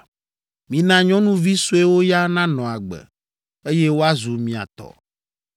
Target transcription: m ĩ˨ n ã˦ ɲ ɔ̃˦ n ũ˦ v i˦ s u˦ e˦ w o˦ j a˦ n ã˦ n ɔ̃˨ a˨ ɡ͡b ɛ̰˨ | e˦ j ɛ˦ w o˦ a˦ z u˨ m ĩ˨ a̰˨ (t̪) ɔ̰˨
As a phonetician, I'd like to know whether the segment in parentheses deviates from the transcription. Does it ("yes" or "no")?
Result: no